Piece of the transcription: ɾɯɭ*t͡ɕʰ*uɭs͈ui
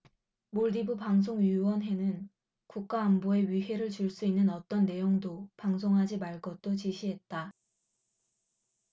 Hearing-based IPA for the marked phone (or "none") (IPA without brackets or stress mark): t͡ɕ